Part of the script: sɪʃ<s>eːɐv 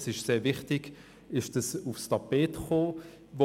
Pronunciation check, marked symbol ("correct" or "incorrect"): correct